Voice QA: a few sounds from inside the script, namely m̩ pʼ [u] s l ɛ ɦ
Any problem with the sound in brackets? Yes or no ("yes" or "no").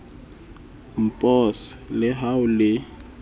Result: yes